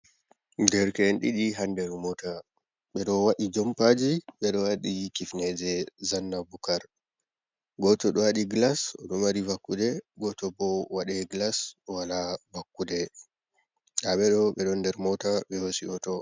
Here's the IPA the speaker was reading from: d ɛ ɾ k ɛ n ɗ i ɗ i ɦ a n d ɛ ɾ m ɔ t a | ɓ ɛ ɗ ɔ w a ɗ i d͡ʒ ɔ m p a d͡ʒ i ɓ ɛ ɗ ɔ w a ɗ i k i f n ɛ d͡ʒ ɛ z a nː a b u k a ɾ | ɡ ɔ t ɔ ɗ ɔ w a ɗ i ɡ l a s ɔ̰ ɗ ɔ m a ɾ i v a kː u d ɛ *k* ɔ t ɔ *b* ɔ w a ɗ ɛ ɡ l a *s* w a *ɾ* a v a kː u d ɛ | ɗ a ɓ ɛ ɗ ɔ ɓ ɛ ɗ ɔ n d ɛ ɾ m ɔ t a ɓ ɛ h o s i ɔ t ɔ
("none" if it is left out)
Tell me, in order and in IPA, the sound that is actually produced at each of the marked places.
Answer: ɡ, b, s, l

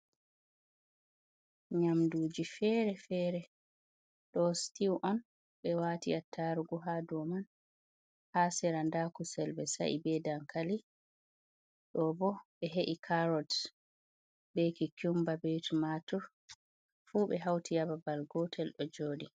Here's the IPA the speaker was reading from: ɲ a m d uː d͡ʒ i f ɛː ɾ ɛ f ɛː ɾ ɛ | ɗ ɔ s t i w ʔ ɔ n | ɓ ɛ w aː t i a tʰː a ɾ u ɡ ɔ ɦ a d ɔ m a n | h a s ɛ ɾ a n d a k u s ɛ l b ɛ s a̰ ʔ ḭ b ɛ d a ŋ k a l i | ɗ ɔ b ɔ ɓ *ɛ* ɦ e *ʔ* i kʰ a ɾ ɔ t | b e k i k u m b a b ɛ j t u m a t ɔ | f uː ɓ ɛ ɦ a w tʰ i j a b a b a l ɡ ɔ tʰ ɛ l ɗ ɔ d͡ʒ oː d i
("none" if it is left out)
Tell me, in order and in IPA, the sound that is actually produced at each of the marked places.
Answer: ɛ, ʔ

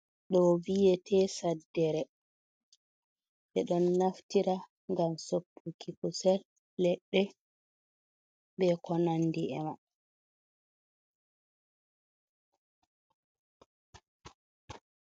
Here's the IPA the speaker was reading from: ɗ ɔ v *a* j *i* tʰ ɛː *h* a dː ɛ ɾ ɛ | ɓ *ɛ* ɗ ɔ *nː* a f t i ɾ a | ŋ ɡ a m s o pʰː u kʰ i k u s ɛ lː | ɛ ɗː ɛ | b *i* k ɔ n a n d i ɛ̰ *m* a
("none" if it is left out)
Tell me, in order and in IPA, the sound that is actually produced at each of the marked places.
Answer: i, ɛ, s, ɛ, nː, ɛ, m

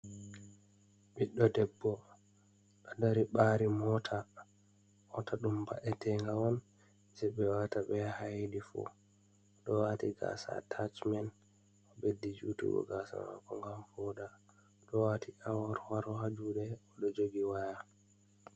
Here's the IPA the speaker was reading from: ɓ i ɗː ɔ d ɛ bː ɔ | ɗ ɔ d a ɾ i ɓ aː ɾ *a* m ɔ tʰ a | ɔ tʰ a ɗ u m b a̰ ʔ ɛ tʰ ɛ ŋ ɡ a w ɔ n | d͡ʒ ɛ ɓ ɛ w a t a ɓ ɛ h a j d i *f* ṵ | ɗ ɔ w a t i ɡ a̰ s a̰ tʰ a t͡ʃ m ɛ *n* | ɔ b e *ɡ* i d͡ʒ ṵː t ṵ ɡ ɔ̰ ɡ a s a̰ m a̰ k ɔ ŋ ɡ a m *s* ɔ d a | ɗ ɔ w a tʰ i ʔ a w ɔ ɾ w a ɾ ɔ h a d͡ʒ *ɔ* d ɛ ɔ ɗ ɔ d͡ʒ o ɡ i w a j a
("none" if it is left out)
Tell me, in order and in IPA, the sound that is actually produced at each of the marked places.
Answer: i, f, n, d, f, u

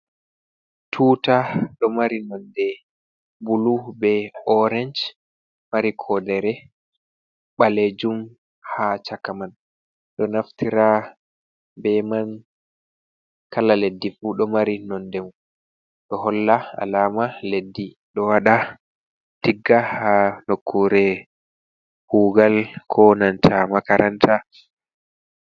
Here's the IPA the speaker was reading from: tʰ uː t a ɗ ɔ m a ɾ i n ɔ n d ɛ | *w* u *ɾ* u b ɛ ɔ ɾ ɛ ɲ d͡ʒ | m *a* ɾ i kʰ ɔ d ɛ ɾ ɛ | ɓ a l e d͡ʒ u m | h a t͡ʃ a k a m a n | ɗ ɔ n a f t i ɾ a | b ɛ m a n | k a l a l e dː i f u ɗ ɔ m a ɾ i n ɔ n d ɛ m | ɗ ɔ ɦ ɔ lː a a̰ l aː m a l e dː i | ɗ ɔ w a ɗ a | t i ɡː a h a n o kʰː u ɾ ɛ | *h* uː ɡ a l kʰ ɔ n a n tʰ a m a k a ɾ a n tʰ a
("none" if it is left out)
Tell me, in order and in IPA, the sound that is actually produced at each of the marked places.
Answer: b, l, a, h

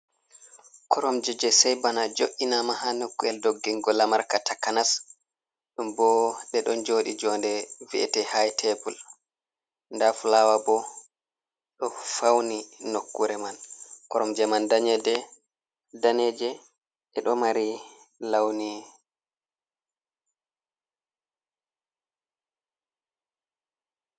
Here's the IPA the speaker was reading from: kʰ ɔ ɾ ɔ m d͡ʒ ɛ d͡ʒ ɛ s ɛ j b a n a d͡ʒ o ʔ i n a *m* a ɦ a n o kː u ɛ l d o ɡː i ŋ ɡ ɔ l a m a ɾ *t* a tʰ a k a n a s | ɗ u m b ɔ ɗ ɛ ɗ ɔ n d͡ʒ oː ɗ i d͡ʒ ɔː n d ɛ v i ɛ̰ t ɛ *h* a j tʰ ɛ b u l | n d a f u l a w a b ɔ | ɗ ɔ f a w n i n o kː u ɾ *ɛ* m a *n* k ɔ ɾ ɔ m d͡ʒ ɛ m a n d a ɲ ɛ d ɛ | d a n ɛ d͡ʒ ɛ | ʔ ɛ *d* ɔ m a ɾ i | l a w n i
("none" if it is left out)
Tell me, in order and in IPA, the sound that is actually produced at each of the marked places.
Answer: m, k, h, ɛ, n, ɗ

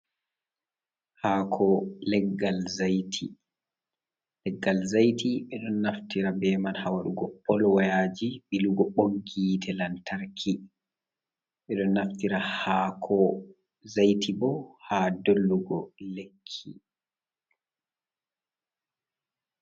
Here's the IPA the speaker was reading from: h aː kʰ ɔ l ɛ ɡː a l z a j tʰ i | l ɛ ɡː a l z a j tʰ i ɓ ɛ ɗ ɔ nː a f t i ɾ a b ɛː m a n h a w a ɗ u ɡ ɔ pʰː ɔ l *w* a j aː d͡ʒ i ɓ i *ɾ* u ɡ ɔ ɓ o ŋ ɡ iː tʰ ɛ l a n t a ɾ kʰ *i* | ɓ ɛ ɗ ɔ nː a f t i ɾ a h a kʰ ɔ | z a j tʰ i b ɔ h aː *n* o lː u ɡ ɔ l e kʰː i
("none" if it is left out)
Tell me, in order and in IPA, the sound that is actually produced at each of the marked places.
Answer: w, l, i, d

